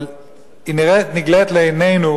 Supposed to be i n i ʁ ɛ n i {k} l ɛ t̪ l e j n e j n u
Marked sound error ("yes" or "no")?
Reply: yes